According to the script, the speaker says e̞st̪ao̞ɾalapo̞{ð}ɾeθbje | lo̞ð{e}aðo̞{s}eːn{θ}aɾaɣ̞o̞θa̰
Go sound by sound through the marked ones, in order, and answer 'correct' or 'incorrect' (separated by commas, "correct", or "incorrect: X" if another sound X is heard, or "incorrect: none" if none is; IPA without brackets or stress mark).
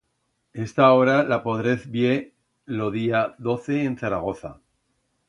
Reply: correct, incorrect: i, incorrect: θ, correct